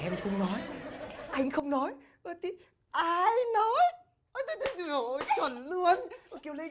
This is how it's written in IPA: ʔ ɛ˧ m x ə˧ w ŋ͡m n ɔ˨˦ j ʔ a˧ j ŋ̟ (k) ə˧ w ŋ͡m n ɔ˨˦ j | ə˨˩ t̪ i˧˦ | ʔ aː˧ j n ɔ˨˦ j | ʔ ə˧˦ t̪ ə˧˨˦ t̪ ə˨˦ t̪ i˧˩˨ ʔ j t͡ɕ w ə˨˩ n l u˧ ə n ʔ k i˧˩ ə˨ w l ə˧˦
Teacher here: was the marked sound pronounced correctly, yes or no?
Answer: no